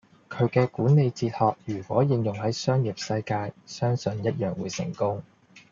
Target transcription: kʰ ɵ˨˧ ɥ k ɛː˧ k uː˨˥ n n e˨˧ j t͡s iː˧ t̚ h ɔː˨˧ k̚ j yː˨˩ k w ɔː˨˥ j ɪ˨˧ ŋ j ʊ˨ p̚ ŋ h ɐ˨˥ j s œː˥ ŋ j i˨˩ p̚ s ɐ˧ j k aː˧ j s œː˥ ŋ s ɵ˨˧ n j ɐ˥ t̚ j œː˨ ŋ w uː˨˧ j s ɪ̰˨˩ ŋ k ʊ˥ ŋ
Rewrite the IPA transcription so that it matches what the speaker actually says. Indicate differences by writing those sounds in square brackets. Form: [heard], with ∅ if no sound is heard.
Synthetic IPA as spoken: kʰ ɵ˨˧ ɥ k ɛː˧ k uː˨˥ n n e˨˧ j t͡s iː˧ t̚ h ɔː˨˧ k̚ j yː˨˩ k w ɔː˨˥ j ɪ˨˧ ŋ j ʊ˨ [∅] ŋ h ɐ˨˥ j s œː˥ ŋ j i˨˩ p̚ s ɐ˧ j k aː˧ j s œː˥ ŋ s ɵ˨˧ n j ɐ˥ t̚ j œː˨ ŋ w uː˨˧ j s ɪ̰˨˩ ŋ k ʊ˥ ŋ

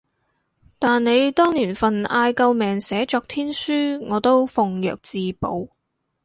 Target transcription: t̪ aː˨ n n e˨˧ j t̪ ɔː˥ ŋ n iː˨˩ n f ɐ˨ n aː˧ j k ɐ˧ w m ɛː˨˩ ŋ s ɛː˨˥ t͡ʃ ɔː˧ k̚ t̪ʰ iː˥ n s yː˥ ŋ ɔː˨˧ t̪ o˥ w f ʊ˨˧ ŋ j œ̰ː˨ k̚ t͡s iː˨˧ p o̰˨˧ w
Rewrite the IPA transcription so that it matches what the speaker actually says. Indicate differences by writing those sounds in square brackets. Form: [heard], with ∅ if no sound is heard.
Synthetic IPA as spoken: t̪ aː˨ n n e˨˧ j t̪ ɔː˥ ŋ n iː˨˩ n f ɐ˨ n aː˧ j k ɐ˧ w m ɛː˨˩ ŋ s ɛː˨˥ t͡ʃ ɔː˧ k̚ t̪ʰ iː˥ n s yː˥ ŋ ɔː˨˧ t̪ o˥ w f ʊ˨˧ ŋ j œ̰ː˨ k̚ t͡s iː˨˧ p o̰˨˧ w

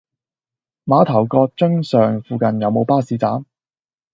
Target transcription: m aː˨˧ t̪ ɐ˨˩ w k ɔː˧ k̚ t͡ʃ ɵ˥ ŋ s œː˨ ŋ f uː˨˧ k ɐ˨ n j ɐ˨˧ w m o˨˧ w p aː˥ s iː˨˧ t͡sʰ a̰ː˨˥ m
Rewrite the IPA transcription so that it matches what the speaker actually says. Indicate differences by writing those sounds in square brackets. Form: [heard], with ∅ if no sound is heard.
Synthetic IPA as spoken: m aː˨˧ [t̪ʰ] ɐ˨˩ w k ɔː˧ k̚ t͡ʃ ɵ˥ ŋ s œː˨ ŋ f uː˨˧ k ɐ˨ n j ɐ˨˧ w m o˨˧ w p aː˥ s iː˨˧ [t͡s] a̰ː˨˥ m

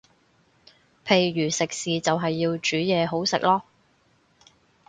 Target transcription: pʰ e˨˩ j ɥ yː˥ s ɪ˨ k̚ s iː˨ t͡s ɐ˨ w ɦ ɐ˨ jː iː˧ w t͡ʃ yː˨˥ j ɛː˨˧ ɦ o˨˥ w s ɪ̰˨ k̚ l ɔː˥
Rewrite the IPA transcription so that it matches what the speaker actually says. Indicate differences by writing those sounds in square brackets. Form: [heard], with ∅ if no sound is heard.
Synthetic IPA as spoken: pʰ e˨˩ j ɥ [yː˨˩] s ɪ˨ k̚ s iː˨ t͡s ɐ˨ w ɦ ɐ˨ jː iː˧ w t͡ʃ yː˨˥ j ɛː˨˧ ɦ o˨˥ w s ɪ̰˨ k̚ l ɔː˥

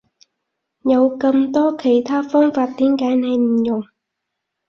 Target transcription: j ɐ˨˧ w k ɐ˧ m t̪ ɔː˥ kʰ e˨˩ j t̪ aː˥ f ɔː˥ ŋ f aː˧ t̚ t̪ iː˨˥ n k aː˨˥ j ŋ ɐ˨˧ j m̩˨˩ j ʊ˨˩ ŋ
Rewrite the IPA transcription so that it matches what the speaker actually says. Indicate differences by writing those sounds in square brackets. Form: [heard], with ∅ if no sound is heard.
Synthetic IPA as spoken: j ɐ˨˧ w k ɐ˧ m t̪ ɔː˥ kʰ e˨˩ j [t̪ʰ] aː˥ f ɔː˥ ŋ f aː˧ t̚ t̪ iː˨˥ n k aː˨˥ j [n] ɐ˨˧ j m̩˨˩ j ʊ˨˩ ŋ

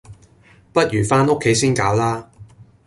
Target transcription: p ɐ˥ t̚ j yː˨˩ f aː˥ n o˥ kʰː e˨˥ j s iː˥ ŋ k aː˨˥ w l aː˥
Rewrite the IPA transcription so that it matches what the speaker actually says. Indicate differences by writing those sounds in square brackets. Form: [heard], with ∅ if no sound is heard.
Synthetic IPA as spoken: p ɐ˥ t̚ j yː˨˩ f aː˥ n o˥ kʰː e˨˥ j s iː˥ [n] k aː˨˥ w l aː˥

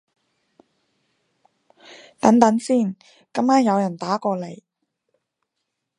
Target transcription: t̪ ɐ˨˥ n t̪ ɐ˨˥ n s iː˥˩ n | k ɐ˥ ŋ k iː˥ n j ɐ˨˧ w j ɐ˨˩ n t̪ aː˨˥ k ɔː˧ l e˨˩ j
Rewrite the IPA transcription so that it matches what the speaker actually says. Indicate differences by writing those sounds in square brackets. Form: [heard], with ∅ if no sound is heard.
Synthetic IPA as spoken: t̪ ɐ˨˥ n t̪ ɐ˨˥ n s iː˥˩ n | k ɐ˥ [m] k [aː˥] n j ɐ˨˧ w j ɐ˨˩ n t̪ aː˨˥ k ɔː˧ l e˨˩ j

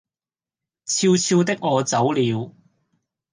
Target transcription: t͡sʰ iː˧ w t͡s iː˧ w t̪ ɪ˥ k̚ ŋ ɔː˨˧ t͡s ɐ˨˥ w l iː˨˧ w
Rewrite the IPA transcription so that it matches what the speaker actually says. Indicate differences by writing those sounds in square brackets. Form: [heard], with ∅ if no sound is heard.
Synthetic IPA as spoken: t͡sʰ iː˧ w [t͡sʰ] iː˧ w t̪ ɪ˥ k̚ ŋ ɔː˨˧ t͡s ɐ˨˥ w l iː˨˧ w

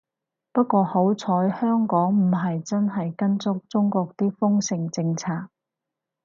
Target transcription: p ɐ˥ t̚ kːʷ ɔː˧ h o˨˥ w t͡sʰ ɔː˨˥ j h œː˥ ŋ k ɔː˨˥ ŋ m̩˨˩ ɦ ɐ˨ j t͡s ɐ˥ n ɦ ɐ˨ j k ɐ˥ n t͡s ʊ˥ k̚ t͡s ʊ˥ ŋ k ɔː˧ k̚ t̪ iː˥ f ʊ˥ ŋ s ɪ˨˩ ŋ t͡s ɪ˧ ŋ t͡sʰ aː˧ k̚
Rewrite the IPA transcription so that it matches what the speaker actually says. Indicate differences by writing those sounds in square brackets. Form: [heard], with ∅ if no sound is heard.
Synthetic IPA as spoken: p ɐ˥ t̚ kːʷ ɔː˧ h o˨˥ w t͡sʰ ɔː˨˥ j h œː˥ ŋ k ɔː˨˥ ŋ m̩˨˩ ɦ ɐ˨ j t͡s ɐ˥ n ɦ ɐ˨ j k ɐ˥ n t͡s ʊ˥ k̚ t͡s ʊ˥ ŋ k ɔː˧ k̚ t̪ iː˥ f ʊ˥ ŋ s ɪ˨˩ ŋ t͡s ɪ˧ ŋ t͡sʰ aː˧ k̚

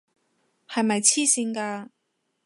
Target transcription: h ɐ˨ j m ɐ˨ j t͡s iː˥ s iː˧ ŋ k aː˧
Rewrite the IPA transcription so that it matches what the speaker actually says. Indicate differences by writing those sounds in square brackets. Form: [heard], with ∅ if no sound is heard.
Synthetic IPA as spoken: h ɐ˨ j m ɐ˨ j [t͡sʰ] iː˥ s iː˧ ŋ k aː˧

